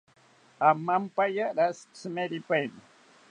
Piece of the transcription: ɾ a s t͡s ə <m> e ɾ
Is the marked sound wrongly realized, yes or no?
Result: no